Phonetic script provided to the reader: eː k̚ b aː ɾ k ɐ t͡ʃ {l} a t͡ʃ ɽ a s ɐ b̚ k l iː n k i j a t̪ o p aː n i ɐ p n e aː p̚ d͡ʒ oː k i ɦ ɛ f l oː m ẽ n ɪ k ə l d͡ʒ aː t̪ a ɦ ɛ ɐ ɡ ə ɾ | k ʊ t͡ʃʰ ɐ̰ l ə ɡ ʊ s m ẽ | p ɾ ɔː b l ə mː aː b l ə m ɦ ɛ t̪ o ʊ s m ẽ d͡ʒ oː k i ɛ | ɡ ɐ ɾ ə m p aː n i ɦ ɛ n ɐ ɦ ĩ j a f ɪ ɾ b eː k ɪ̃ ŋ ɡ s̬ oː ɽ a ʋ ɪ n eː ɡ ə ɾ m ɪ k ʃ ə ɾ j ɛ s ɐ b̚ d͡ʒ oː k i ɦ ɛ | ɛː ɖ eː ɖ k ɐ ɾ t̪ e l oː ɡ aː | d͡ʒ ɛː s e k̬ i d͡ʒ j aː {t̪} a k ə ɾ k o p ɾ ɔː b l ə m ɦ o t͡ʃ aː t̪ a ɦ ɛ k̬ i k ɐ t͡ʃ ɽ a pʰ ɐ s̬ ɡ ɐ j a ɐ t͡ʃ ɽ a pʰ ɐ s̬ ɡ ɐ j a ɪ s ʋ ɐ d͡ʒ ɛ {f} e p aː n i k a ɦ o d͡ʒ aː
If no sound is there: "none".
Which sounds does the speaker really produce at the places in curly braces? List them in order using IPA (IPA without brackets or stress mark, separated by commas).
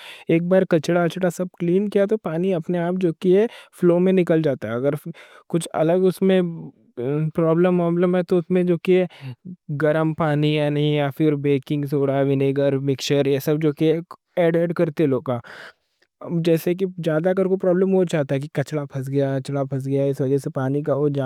ɽ, d̪, s